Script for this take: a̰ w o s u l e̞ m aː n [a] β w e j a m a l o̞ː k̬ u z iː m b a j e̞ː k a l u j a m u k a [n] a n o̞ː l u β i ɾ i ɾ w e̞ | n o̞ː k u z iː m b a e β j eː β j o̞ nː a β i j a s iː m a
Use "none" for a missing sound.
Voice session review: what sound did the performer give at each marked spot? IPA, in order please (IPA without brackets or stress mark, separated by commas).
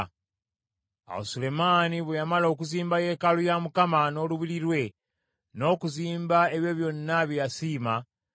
i, m